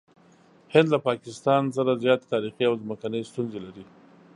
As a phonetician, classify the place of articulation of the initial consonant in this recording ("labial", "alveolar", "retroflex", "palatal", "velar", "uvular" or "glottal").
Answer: glottal